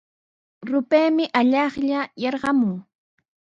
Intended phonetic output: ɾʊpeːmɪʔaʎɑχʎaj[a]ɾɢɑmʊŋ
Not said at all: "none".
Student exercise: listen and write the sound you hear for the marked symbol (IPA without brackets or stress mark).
ɑ